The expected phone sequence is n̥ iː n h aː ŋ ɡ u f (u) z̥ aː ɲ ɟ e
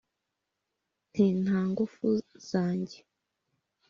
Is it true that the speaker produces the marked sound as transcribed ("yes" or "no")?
yes